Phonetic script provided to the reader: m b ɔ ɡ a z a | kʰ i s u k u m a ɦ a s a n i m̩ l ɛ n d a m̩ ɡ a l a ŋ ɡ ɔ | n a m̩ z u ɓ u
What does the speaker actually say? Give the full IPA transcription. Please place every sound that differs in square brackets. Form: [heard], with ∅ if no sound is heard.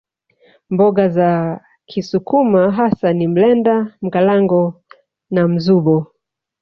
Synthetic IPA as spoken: m b ɔ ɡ a z a | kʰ i s u k u m a ɦ a s a n i m̩ l ɛ n d a m̩ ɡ a l a ŋ ɡ ɔ | n a m̩ z u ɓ [ɔ]